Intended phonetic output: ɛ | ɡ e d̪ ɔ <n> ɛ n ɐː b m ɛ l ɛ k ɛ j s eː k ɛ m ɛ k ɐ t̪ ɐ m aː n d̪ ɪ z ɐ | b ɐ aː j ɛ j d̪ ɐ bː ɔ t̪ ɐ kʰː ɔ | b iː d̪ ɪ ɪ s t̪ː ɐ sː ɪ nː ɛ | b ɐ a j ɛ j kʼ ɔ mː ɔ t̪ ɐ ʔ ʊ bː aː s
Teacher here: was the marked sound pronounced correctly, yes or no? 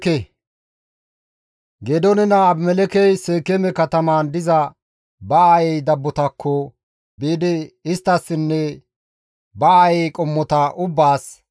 yes